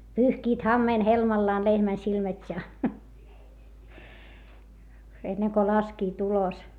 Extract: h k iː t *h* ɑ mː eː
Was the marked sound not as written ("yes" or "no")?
no